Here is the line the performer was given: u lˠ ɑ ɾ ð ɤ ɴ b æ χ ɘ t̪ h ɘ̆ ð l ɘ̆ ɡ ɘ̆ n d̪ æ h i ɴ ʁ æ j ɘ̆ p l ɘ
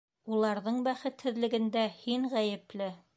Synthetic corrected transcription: u lˠ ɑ ɾ ð ɤ ɴ b æ χ ɘ t̪ h ɘ̆ ð l ɘ̆ ɡ ɘ̆ n d̪ æ h i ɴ ʁ æ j ɘ̆ p l ɘ